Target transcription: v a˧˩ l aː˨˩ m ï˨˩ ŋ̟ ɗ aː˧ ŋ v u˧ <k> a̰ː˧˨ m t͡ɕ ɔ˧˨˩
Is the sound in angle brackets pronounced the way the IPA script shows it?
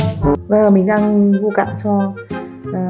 yes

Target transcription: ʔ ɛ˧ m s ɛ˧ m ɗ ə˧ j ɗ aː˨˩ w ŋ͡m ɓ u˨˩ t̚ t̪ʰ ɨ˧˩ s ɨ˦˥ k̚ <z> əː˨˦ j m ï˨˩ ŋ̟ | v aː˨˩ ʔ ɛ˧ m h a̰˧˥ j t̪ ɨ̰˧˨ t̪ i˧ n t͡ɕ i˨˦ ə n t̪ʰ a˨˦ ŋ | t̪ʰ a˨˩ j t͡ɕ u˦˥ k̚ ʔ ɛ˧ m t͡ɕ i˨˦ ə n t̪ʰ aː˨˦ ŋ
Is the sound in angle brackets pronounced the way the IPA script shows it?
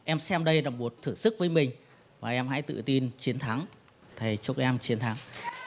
no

